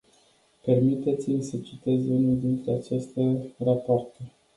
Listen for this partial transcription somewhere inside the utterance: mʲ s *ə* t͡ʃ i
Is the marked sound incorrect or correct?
correct